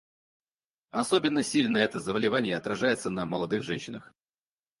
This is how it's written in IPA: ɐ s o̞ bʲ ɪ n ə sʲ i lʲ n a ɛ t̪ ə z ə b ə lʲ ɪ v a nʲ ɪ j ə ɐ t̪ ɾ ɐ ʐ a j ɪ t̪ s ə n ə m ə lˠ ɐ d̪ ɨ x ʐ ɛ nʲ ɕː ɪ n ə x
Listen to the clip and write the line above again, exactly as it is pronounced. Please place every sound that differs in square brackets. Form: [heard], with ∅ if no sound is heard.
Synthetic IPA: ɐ s o̞ bʲ ɪ [nː] ə sʲ i lʲ n [ə] ɛ t̪ ə z ə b ə lʲ ɪ v a nʲ ɪ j ə ɐ t̪ ɾ ɐ ʐ a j ɪ t̪ s ə n ə m ə lˠ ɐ d̪ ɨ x ʐ ɛ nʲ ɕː ɪ n ə x